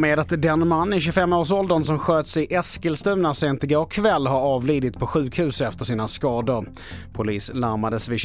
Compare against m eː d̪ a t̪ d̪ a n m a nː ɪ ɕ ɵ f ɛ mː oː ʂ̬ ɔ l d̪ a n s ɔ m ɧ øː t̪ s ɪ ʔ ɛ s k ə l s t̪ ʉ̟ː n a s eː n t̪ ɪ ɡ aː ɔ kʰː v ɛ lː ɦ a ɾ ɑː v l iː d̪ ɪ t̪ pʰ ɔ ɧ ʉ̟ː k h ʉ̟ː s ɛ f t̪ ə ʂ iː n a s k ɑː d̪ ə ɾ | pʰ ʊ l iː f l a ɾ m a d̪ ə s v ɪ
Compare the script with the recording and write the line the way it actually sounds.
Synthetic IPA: m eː d̪ a t̪ d̪ ɛ n m a nː ɪ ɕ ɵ f ɛ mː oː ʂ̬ ɔ l d̪ ə n s ɔ m ɧ øː t̪ s ɪ ʔ ɛ s k ə l s t̪ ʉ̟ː n a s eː n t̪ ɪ ɡ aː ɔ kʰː v ɛ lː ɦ a ɾ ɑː v l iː d̪ ɪ t̪ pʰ ɔ ɧ ʉ̟ː k h ʉ̟ː s ɛ f t̪ ə ʂ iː n a s k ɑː d̪ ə ɾ | pʰ ʊ l iː s l a ɾ m a d̪ ə s v ɪ